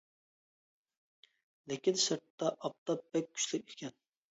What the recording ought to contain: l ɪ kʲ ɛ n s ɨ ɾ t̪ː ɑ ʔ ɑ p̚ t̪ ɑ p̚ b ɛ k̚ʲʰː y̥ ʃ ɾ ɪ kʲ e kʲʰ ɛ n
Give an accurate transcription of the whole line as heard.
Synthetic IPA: l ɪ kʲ i n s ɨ ɾ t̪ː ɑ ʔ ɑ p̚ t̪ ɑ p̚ b ɛ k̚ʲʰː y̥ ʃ l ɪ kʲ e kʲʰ ɛ n